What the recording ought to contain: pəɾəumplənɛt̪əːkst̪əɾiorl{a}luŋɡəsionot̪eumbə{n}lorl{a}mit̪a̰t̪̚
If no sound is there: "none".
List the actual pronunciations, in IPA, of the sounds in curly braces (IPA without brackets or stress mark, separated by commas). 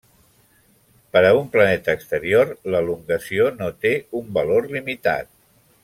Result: ə, none, i